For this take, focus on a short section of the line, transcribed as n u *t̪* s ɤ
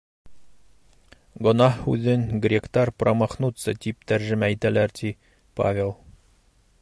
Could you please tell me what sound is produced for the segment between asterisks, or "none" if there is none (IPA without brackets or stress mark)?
t̪